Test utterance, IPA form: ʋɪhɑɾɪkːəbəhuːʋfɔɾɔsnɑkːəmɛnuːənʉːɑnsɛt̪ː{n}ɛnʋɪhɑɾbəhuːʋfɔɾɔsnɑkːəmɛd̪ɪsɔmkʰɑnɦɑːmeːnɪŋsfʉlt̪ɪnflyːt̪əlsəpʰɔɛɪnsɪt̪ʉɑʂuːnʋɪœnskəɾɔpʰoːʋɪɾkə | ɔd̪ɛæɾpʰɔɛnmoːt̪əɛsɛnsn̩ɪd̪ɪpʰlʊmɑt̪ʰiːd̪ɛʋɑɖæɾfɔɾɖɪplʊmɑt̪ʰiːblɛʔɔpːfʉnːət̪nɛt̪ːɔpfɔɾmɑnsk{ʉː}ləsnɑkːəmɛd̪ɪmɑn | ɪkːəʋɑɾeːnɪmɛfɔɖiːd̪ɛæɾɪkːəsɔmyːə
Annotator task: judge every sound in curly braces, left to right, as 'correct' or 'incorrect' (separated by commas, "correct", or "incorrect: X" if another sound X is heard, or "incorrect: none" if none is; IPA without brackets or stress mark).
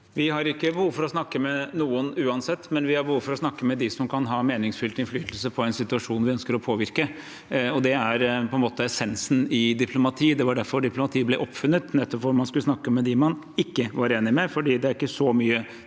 incorrect: m, incorrect: ʉ